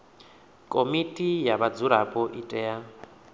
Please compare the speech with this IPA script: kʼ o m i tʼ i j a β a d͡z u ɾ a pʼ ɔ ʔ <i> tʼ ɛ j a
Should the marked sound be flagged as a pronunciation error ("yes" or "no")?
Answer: no